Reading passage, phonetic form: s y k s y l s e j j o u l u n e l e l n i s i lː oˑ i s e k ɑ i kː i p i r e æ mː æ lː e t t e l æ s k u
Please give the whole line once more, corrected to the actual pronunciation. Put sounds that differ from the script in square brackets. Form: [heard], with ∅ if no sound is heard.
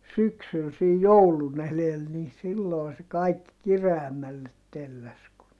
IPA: s y k s y l s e j j o u l u n e l e l n i s i lː oˑ i s e k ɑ i kː i [k] i r e æ mː æ lː e t t e [lː] æ s k u